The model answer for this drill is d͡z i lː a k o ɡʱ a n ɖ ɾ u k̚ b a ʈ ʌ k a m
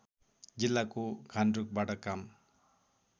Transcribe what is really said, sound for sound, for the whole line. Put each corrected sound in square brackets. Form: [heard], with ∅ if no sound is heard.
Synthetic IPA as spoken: d͡z i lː a k o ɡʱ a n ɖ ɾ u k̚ b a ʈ ʌ k a m